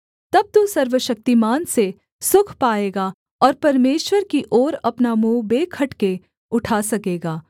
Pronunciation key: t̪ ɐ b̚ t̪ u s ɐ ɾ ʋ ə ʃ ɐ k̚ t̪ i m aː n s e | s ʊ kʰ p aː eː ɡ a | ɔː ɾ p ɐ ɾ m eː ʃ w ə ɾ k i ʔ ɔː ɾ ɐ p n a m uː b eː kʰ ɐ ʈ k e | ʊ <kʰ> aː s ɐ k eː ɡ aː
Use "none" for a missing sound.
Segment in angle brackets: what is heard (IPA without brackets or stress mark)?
ʈʰ